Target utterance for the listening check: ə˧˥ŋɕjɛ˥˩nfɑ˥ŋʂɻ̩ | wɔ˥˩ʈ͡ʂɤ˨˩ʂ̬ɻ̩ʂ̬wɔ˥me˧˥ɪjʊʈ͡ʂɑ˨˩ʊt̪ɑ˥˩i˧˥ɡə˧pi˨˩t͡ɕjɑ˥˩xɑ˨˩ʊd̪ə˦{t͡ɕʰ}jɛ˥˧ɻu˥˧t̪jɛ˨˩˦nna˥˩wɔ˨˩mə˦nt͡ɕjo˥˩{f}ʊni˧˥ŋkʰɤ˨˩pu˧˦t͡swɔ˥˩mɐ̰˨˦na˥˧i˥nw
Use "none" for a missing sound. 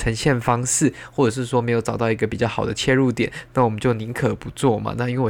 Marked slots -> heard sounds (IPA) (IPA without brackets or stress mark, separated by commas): t͡ɕʰ, none